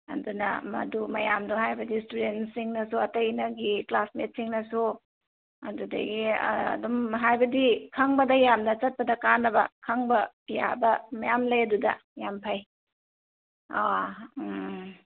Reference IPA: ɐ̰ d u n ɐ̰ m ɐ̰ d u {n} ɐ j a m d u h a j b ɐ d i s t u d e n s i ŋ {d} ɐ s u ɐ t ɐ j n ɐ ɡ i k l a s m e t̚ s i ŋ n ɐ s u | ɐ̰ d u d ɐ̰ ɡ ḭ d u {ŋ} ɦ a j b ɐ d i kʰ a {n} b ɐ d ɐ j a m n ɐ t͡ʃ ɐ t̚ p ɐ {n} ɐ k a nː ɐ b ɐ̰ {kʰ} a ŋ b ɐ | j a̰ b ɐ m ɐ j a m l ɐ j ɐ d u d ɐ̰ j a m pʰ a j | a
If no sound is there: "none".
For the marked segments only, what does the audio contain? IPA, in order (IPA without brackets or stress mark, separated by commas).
m, n, m, ŋ, d, kʰ